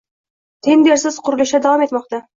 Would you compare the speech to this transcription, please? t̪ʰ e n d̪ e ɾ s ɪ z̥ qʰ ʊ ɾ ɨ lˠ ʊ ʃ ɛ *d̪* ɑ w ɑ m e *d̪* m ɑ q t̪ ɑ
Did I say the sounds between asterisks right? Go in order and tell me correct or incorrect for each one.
correct, incorrect: t̪

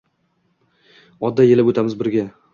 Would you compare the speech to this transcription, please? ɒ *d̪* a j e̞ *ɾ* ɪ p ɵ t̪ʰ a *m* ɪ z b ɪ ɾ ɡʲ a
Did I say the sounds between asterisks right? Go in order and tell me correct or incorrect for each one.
incorrect: d̪ː, incorrect: l, correct

